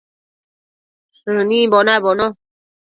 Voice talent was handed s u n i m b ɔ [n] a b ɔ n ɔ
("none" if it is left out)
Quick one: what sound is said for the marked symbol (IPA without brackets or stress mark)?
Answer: n